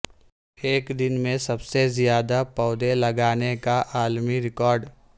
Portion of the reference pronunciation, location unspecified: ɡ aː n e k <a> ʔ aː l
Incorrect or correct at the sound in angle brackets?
correct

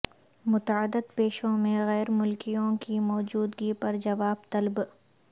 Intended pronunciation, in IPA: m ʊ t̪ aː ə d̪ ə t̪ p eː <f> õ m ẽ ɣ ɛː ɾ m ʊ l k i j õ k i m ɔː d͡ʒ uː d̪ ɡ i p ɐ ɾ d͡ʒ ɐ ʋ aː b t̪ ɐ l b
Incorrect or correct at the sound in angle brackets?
incorrect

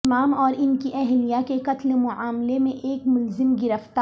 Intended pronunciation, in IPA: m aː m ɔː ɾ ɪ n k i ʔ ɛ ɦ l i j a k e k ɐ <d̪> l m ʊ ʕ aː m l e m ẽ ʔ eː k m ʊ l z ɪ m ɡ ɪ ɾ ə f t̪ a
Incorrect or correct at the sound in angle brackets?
incorrect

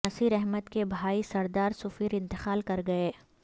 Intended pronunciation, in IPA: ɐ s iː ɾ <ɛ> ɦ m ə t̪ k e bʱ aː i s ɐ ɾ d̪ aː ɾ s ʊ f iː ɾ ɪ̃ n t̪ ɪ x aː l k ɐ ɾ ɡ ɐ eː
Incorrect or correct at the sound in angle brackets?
correct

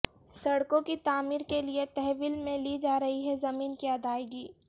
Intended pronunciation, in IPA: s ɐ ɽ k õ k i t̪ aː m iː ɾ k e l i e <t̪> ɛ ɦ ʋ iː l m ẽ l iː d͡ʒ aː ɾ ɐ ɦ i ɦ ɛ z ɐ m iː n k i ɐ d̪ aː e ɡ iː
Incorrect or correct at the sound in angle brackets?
correct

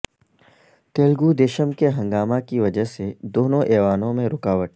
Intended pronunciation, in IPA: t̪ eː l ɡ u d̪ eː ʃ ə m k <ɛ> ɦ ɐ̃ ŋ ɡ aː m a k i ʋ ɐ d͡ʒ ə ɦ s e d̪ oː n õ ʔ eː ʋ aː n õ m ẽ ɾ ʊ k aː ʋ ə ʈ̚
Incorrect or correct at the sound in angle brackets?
incorrect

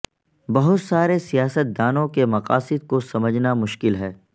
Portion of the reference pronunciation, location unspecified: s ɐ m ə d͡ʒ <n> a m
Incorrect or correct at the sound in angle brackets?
correct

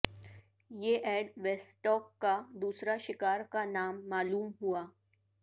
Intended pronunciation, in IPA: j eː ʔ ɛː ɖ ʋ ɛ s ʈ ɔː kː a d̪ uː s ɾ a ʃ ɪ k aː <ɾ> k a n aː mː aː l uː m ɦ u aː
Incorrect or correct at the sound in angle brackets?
correct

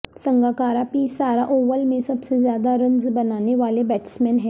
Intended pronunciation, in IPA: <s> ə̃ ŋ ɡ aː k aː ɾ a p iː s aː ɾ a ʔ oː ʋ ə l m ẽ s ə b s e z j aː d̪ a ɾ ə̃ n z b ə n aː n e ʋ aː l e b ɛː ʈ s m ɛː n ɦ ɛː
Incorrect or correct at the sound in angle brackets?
correct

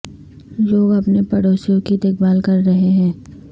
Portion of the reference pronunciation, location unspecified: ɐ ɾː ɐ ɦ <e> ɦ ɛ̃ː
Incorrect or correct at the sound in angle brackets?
correct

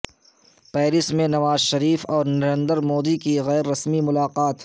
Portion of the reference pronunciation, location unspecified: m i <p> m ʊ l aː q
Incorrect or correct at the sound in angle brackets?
incorrect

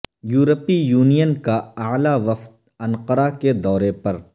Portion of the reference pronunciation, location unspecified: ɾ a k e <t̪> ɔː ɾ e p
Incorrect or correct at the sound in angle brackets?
incorrect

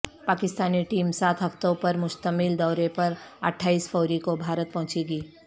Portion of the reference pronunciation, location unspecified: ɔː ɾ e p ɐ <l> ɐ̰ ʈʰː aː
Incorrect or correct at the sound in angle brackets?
incorrect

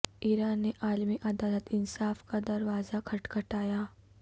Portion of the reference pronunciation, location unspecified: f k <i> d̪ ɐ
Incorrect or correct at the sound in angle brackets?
incorrect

